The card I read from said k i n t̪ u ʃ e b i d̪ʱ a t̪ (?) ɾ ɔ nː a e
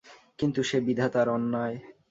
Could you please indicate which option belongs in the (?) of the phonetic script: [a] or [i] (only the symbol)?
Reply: a